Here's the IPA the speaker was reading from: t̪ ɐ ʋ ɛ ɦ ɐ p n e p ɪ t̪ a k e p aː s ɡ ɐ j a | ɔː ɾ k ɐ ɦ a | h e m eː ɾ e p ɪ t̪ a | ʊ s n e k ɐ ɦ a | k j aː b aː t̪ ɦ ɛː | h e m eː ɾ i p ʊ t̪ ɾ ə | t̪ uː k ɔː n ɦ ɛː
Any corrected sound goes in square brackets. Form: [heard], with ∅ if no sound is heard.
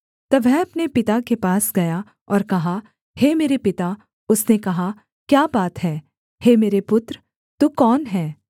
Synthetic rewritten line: t̪ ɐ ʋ ɛ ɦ ɐ p n e p ɪ t̪ a k e p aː s ɡ ɐ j a | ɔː ɾ k ɐ ɦ a | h e m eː ɾ e p ɪ t̪ a | ʊ s n e k ɐ ɦ a | k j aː b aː t̪ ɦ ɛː | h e m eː ɾ [e] p ʊ t̪ ɾ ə | t̪ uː k ɔː n ɦ ɛː